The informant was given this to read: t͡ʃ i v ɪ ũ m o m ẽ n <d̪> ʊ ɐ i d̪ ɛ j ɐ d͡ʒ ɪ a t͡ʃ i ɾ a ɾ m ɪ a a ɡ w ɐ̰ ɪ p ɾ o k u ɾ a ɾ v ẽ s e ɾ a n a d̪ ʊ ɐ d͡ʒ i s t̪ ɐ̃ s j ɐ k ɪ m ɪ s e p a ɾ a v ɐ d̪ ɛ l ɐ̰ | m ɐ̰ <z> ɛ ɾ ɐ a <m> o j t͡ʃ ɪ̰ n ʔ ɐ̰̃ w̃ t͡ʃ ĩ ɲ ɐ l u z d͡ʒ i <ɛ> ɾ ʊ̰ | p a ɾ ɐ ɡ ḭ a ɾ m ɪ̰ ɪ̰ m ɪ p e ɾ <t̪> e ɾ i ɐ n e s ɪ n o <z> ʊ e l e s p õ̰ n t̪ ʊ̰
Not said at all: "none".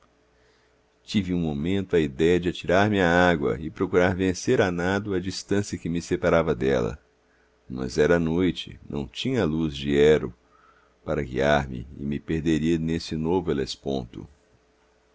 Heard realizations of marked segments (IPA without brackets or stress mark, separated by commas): t̪, z, n, ɛ, d̪, v